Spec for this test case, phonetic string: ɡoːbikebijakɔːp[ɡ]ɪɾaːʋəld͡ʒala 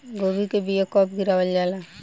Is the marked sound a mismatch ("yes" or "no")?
no